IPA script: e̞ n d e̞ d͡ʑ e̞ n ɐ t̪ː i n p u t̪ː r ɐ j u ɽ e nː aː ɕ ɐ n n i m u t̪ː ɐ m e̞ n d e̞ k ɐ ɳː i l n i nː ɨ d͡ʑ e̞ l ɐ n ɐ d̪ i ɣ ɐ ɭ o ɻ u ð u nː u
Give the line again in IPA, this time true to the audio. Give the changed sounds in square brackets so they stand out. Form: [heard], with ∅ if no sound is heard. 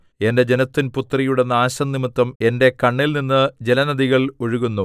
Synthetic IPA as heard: e̞ n d e̞ d͡ʑ e̞ n ɐ t̪ː i n p u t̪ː r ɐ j u ɽ e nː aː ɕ ɐ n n i m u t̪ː ɐ m e̞ n d e̞ k ɐ ɳː i l n i nː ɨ d͡ʑ e̞ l ɐ n ɐ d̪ i ɣ ɐ ɭ o ɻ u [ɣ] u nː u